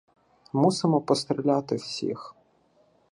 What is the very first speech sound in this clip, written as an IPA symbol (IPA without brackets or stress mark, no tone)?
m